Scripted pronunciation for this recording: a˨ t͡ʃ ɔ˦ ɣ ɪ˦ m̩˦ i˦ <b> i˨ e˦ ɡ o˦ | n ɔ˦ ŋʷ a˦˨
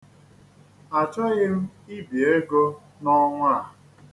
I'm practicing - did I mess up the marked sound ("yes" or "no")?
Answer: no